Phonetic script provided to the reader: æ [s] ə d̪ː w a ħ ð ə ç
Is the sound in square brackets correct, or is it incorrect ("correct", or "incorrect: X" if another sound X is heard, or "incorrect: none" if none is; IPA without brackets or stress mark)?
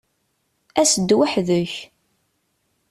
correct